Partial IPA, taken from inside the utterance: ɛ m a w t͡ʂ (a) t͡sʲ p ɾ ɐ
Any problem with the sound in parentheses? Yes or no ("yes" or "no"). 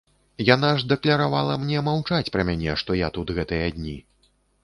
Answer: no